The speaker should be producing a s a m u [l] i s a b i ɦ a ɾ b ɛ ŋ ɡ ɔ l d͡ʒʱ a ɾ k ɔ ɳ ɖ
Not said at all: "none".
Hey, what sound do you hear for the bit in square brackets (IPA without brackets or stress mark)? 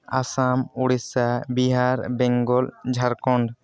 ɽ